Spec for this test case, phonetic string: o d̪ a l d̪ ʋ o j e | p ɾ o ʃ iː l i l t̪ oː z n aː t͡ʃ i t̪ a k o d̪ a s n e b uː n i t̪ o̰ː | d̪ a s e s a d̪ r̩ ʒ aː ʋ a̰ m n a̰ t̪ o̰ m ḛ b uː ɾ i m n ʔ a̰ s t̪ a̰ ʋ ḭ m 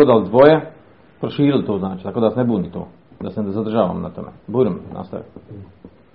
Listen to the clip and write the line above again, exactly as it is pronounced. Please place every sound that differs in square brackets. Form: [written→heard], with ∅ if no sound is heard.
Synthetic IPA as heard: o d̪ a l d̪ ʋ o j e | p ɾ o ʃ iː [l→ɾ] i l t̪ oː z n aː t͡ʃ i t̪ a k o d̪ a s n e b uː n i t̪ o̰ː | d̪ a s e [s→z] a d̪ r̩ ʒ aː ʋ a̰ m n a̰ t̪ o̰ m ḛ b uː ɾ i m n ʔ a̰ s t̪ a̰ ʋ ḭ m